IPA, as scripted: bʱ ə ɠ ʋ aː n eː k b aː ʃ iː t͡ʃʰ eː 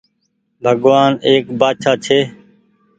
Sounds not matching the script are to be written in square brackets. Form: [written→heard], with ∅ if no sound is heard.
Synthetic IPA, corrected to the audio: bʱ ə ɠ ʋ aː n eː k b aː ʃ [iː→aː] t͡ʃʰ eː